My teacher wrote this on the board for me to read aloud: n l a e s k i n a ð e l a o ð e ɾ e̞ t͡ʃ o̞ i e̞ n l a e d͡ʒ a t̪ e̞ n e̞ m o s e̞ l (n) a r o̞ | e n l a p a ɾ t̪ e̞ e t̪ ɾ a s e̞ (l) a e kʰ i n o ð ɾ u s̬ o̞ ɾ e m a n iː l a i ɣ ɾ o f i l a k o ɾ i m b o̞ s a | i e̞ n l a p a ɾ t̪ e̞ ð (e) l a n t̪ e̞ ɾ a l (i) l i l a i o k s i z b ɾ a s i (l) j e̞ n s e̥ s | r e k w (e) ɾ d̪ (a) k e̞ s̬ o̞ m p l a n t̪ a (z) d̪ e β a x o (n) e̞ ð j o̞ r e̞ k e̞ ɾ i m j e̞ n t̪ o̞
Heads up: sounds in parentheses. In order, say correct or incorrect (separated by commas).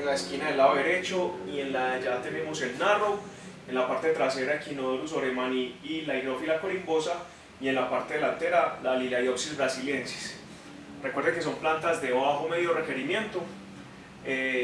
correct, incorrect, correct, incorrect, correct, correct, incorrect, correct, incorrect